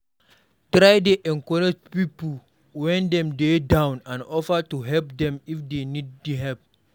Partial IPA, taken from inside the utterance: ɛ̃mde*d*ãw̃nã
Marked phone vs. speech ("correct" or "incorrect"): correct